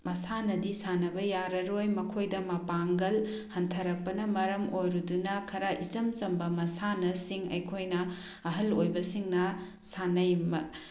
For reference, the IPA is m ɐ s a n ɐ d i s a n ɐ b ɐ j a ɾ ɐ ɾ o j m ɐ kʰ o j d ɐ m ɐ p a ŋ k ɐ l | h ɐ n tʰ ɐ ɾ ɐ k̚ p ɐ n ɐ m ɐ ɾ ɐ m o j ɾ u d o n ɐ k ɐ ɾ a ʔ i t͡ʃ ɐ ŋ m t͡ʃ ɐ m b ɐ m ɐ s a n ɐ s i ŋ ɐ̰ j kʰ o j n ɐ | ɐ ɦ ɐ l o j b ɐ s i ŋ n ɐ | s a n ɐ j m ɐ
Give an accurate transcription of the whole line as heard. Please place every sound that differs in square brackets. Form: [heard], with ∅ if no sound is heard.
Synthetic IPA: m ɐ s a n ɐ d i s a n ɐ b ɐ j a ɾ ɐ ɾ o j m ɐ kʰ o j d ɐ m ɐ p a ŋ [ɡ] ɐ l | h ɐ n tʰ ɐ ɾ ɐ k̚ p ɐ n ɐ m ɐ ɾ ɐ m o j ɾ u d [u] n ɐ [kʰ] ɐ ɾ a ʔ i t͡ʃ ɐ [∅] m t͡ʃ ɐ m b ɐ m ɐ s a n ɐ s i ŋ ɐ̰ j kʰ o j n ɐ | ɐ ɦ ɐ l o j b ɐ s i ŋ n ɐ | s a n ɐ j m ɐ